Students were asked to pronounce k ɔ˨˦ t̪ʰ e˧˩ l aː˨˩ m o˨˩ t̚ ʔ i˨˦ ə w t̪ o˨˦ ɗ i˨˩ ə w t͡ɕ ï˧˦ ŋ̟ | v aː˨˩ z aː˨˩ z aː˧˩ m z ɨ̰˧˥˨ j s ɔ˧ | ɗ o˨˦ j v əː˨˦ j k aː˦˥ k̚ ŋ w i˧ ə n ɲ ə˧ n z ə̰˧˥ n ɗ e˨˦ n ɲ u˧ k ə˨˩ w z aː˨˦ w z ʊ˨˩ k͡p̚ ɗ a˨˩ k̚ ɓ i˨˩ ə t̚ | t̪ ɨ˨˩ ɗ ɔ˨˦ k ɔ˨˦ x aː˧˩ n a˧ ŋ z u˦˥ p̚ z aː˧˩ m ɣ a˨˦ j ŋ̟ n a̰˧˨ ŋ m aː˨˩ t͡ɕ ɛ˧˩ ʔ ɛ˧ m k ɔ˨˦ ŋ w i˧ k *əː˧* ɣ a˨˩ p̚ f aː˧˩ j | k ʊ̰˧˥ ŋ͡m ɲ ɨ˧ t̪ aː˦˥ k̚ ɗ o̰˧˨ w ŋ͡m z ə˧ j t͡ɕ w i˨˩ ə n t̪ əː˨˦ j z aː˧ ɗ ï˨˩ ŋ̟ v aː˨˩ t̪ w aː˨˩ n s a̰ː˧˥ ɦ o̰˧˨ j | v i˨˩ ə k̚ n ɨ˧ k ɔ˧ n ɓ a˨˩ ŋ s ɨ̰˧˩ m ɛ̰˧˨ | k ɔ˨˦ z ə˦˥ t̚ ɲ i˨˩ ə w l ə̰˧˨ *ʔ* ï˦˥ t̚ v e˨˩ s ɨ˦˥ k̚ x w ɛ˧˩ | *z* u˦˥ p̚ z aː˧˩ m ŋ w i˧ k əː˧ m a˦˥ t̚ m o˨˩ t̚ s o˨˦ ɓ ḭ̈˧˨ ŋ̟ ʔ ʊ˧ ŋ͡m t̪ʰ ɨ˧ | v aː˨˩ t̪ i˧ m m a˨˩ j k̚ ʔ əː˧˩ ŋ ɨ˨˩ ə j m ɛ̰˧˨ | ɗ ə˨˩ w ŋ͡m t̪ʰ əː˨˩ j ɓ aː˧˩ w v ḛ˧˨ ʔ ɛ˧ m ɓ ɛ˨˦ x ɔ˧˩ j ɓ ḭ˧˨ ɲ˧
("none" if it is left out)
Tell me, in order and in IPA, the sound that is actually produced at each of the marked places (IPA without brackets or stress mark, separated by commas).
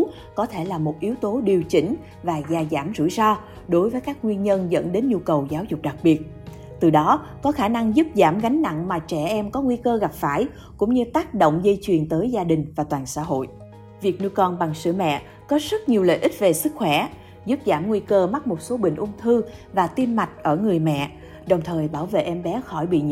əː˧, ʔ, z